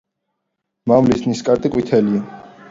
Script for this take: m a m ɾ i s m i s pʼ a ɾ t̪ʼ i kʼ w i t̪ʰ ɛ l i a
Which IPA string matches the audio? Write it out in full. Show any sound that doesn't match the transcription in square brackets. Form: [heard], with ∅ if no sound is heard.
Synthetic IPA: m a m [l] i s [n] i s [kʼ] a ɾ t̪ʼ i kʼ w i t̪ʰ ɛ l i a